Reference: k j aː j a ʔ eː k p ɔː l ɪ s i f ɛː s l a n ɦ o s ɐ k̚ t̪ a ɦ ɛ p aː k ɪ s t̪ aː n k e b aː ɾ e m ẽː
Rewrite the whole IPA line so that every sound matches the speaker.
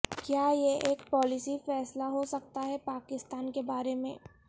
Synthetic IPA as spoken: k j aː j e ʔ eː k p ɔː l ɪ s i f ɛː s l a ɦ o s ɐ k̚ t̪ a ɦ ɛ p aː k ɪ s t̪ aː n k e b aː ɾ e m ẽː